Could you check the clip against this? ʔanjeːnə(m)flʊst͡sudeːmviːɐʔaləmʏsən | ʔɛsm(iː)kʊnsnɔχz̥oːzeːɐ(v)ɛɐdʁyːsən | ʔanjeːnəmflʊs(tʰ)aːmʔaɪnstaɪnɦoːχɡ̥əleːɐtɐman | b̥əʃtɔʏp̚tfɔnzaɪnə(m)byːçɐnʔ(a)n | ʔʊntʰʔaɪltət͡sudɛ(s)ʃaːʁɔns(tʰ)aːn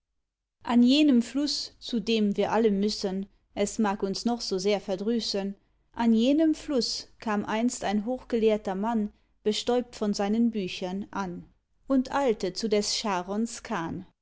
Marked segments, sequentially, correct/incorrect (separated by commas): correct, incorrect, incorrect, incorrect, incorrect, correct, correct, incorrect